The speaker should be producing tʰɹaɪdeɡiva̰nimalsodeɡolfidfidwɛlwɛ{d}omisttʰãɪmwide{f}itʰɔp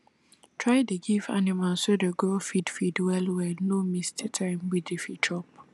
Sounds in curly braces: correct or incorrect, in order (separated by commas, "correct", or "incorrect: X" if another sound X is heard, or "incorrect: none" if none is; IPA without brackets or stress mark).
incorrect: n, correct